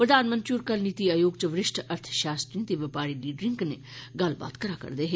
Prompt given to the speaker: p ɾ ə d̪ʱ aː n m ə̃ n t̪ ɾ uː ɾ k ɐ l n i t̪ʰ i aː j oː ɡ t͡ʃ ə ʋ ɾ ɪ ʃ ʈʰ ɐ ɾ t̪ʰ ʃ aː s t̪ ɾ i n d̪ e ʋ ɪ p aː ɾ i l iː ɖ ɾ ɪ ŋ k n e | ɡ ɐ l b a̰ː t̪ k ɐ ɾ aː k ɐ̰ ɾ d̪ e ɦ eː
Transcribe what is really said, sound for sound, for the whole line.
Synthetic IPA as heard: p ɾ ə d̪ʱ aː n m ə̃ n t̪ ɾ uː ɾ k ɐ l n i t̪ i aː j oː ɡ t͡ʃ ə ʋ ɾ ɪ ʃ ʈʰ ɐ ɾ t̪ʰ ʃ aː s t̪ ɾ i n t̪ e ʋ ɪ p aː ɾ i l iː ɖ ɾ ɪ ŋ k n e | ɡ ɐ l b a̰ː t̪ k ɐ ɾ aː k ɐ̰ ɾ d̪ e ɦ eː